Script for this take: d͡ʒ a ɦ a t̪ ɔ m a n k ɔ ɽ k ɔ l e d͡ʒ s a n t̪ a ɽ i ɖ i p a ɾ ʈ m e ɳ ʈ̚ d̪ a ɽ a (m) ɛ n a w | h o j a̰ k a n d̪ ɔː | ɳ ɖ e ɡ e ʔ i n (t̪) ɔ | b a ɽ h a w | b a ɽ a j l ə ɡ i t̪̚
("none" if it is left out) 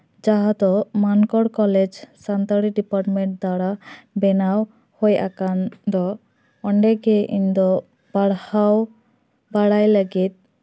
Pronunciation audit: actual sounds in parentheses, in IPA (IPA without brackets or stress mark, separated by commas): b, d̪